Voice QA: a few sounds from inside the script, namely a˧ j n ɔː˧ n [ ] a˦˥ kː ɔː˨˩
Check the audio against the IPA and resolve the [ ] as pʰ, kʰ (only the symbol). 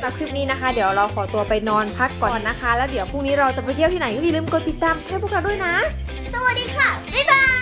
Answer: pʰ